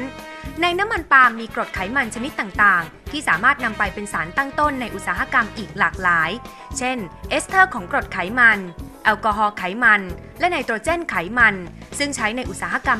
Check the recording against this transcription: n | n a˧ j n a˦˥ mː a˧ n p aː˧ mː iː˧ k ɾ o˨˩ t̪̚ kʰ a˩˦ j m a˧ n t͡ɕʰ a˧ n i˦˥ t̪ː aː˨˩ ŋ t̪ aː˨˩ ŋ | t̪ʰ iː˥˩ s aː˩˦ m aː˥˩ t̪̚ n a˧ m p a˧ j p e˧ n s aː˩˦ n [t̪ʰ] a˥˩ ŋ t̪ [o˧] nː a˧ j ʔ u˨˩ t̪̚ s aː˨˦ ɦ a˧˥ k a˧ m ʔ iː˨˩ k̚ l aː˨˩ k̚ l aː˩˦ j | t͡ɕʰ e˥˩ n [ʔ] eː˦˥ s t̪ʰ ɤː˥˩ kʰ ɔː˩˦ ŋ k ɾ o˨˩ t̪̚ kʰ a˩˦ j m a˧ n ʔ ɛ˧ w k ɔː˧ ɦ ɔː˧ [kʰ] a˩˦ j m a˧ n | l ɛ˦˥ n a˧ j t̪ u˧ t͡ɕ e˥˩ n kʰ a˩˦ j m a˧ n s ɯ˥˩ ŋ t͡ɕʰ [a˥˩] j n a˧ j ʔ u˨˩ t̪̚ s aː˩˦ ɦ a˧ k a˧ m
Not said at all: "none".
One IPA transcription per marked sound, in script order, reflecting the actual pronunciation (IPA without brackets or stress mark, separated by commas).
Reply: t̪, o˥˩, ʔ, kʰ, a˦˥